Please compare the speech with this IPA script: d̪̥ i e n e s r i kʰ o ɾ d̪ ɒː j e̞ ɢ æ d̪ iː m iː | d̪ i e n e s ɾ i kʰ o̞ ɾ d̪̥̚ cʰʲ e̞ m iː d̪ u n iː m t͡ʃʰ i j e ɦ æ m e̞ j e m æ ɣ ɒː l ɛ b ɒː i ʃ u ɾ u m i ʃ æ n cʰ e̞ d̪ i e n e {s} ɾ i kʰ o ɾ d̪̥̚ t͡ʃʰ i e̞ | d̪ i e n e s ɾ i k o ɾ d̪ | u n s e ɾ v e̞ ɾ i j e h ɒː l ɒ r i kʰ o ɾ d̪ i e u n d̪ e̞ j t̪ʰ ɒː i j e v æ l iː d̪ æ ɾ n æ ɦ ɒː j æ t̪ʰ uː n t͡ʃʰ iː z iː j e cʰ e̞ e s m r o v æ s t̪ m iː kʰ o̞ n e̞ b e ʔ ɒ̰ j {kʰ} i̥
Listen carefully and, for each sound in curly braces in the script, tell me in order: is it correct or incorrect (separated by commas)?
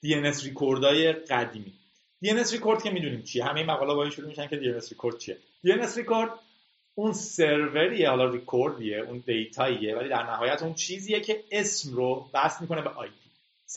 correct, incorrect